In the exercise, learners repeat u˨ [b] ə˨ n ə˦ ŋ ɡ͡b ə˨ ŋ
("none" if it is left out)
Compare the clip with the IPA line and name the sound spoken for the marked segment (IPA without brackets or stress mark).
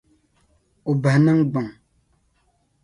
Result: b